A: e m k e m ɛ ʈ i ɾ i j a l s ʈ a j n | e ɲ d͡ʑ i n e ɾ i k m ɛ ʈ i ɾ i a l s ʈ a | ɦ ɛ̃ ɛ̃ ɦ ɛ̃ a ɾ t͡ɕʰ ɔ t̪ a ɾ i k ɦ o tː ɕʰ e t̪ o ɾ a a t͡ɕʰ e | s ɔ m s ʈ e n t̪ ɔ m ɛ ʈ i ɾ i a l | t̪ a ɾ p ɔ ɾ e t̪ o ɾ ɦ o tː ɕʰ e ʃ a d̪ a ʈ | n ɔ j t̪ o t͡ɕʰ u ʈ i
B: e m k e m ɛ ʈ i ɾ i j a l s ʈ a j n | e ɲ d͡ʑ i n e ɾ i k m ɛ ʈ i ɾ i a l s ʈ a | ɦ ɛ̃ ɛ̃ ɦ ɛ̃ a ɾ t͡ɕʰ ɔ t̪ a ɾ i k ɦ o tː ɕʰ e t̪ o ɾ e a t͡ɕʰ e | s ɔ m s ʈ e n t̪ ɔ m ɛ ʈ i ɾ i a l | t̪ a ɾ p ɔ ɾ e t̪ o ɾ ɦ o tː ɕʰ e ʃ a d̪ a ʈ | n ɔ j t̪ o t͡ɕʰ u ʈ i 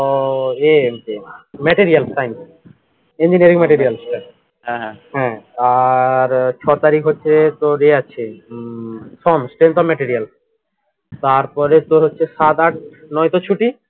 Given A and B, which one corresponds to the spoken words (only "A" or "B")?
B